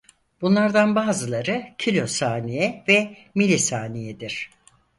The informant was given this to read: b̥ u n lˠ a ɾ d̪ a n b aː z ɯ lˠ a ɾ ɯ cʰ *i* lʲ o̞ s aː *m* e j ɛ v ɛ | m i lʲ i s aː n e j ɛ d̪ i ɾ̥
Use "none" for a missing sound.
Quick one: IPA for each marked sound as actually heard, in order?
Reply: i, n

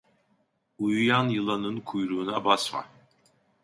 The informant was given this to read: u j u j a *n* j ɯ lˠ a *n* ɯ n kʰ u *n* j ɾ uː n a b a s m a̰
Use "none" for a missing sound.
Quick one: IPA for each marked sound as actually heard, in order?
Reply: n, n, none

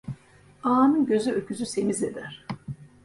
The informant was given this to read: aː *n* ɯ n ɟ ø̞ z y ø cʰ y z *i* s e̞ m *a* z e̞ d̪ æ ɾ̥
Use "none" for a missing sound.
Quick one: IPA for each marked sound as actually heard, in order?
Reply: n, y, i

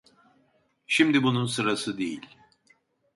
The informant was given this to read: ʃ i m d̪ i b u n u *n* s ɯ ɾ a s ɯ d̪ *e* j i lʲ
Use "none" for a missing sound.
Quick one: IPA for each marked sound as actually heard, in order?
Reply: n, e

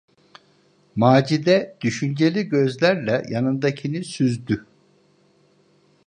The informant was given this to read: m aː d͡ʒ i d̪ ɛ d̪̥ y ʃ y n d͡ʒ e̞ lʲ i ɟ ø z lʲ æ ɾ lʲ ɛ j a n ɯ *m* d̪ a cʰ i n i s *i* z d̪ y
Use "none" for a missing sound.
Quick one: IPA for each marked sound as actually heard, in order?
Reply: n, y

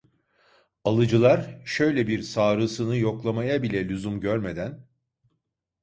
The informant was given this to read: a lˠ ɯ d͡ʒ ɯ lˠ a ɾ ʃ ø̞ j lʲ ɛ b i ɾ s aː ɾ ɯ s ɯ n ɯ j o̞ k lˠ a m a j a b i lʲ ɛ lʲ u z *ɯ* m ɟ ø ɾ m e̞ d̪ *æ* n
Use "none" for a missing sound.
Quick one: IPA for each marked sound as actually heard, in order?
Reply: u, æ

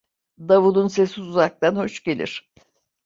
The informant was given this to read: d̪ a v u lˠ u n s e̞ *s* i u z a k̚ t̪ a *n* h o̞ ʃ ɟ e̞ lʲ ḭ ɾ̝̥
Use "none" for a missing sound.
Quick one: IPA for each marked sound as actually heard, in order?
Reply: s, n

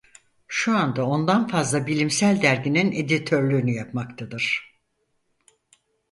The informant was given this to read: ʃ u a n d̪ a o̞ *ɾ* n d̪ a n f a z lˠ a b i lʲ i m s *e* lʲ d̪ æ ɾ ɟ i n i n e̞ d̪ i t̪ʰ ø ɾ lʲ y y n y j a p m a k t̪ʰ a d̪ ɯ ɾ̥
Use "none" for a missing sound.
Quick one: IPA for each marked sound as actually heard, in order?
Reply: none, æ

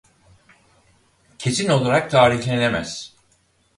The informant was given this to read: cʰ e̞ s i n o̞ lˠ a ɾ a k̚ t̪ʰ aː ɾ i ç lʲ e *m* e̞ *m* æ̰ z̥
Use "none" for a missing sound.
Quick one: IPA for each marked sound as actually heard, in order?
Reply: n, m

